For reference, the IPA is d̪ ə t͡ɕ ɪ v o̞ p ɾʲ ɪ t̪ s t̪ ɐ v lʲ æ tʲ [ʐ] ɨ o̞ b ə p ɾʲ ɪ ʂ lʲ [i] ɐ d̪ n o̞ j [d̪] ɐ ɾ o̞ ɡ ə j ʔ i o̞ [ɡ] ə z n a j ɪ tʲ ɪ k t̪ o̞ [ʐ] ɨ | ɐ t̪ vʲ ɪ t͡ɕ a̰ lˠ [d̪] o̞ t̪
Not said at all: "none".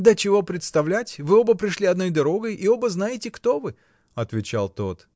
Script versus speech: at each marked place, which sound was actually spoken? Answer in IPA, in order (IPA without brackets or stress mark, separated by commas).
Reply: v, i, d̪, b, v, t̪